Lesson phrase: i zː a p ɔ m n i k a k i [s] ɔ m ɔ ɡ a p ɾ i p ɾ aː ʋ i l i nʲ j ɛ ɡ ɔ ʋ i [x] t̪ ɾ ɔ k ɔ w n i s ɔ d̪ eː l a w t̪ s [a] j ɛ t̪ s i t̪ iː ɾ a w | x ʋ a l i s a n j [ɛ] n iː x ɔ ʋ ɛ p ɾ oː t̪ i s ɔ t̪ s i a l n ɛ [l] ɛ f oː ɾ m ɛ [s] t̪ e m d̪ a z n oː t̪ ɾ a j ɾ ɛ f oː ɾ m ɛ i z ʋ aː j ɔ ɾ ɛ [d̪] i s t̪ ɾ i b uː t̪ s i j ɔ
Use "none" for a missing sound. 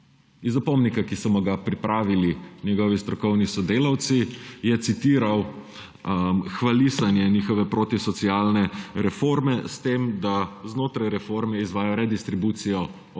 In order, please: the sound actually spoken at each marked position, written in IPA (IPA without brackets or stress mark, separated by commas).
s, s, i, ɛ, ɾ, s, d̪